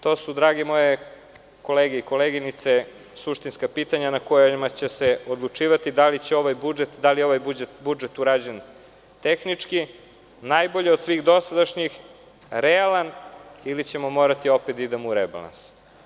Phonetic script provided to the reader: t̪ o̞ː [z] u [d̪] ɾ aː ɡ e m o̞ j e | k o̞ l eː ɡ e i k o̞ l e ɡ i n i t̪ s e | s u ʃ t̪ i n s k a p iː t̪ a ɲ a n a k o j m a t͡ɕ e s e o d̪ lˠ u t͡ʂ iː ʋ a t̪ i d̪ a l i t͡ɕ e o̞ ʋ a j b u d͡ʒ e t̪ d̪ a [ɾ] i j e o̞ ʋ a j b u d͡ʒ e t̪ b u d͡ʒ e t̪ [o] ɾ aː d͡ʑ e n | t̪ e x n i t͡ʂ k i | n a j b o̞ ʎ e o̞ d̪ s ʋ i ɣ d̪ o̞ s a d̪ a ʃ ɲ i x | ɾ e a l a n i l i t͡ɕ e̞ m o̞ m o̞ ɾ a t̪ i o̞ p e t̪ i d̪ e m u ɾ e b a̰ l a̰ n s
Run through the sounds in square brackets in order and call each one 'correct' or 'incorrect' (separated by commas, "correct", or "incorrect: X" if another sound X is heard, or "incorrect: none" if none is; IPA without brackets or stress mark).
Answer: incorrect: s, correct, incorrect: l, incorrect: u